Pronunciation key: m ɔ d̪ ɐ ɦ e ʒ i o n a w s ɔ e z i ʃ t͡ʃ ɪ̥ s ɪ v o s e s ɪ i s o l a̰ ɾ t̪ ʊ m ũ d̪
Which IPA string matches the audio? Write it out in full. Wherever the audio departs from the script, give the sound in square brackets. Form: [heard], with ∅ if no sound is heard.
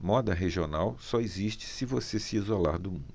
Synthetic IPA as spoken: m ɔ d̪ ɐ ɦ e ʒ i o n a w s ɔ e z i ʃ t͡ʃ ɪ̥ s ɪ v o s e s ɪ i [z] o l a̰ ɾ [d̪] ʊ m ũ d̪

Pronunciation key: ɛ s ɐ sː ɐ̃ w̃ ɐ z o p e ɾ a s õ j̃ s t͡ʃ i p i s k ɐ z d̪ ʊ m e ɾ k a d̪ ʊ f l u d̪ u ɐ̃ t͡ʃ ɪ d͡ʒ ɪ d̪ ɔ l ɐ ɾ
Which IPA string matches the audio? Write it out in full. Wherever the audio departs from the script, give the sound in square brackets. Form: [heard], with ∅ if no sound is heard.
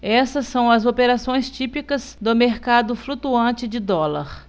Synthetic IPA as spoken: ɛ s ɐ sː ɐ̃ w̃ ɐ z o p e ɾ a s õ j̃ s t͡ʃ i p i [∅] k ɐ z d̪ ʊ m e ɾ k a d̪ ʊ f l u [t̪] u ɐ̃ t͡ʃ ɪ d͡ʒ ɪ d̪ ɔ l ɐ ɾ

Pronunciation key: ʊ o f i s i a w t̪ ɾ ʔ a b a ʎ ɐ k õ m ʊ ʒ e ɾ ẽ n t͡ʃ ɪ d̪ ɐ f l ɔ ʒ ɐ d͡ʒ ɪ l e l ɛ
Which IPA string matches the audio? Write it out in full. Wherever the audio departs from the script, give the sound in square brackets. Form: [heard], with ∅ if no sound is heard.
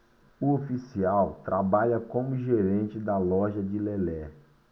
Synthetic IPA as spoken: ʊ o f i s i a w t̪ ɾ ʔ a b a ʎ ɐ k õ m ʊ ʒ e ɾ ẽ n t͡ʃ ɪ d̪ ɐ [∅] l ɔ ʒ ɐ d͡ʒ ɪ l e l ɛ

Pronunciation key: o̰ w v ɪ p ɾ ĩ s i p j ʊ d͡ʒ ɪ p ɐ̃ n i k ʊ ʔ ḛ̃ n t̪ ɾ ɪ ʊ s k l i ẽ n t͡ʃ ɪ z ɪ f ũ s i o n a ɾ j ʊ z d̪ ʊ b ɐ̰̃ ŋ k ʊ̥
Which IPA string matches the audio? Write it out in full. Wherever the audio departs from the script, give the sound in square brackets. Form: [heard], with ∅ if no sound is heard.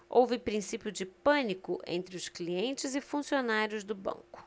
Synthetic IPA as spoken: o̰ w v ɪ p ɾ ĩ s i p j ʊ d͡ʒ ɪ p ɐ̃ n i k ʊ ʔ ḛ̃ n t̪ ɾ ɪ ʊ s k l i ẽ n t͡ʃ ɪ z ɪ f ũ s i o n a ɾ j ʊ z d̪ ʊ b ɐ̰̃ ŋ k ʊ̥

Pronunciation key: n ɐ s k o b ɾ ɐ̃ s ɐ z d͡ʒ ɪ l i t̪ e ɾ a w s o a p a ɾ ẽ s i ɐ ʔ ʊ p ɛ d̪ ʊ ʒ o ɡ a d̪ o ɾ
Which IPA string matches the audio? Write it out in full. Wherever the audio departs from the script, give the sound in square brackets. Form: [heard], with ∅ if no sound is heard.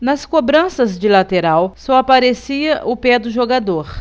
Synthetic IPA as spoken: n ɐ s k o b ɾ ɐ̃ s ɐ z d͡ʒ ɪ l [a] t̪ e ɾ a w s [ɔ] a p a ɾ [e] s i ɐ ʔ ʊ p ɛ d̪ ʊ ʒ o ɡ a d̪ o ɾ

